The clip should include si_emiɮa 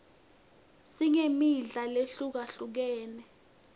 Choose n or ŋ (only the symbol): ŋ